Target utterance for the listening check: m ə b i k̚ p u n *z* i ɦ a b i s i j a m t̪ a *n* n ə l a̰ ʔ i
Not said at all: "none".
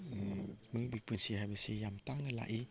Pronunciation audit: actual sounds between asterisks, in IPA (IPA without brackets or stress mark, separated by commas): s, ŋ